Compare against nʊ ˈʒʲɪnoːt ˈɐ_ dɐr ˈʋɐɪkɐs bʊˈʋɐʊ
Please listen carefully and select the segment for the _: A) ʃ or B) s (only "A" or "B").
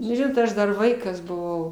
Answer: A